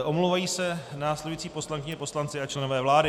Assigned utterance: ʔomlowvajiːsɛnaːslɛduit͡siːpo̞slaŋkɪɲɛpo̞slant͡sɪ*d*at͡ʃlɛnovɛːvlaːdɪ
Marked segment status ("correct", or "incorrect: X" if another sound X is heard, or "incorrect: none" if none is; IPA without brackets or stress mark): incorrect: none